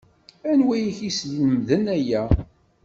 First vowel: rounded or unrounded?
unrounded